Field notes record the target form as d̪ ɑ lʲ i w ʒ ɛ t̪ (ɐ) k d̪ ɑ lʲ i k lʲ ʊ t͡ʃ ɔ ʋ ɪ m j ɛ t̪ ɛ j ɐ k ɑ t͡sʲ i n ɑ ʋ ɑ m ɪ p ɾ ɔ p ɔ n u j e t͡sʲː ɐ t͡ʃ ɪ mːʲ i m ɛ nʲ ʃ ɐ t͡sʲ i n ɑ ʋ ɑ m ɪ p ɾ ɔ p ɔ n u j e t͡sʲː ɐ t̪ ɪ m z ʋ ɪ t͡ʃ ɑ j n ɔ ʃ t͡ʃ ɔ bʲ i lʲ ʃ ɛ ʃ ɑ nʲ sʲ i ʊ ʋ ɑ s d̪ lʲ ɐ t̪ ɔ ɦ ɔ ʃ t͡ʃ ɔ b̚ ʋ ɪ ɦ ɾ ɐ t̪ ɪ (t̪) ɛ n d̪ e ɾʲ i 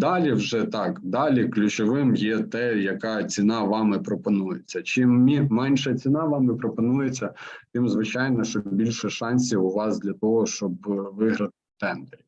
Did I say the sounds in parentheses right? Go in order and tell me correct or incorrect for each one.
incorrect: ɑ, correct

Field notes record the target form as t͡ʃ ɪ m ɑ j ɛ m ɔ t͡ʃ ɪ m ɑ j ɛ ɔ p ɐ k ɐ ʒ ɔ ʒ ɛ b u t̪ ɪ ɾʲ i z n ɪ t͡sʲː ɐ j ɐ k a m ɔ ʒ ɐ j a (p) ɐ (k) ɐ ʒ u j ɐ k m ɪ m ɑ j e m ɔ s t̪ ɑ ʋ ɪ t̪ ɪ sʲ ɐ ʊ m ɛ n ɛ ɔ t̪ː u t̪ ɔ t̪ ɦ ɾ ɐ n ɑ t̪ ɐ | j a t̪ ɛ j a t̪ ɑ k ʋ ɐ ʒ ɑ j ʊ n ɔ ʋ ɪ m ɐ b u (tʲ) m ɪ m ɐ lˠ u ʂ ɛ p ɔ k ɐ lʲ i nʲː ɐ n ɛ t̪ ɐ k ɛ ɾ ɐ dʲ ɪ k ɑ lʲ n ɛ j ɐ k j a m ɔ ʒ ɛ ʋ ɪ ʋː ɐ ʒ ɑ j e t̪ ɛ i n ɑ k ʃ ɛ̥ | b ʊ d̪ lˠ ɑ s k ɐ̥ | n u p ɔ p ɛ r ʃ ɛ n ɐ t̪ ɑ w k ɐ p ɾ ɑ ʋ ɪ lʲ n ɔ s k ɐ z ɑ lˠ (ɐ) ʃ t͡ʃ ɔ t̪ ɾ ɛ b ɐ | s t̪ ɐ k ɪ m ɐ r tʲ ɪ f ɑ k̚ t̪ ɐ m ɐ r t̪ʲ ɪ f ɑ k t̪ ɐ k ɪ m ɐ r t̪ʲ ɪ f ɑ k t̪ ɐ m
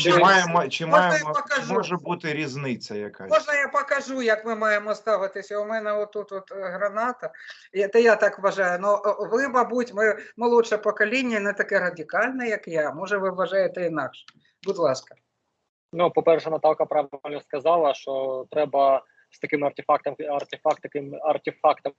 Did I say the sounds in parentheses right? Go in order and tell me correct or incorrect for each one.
correct, correct, correct, correct

